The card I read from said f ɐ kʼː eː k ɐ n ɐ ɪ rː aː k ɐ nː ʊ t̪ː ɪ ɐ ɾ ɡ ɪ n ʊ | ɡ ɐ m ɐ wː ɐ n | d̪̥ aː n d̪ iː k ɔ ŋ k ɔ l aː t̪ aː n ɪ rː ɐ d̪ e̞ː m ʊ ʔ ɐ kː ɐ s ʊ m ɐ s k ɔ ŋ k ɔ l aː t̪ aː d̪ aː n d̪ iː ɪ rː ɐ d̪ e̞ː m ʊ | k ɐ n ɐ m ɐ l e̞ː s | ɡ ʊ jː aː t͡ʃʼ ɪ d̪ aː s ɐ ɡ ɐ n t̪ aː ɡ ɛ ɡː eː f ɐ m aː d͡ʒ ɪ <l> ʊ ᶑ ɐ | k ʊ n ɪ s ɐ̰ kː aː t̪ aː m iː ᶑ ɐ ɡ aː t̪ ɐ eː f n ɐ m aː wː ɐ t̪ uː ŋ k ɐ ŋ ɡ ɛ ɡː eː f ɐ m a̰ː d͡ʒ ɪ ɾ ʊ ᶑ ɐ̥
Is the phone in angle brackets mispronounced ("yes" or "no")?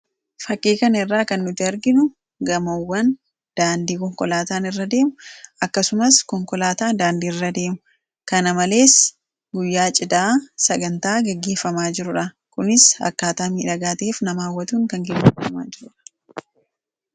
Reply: yes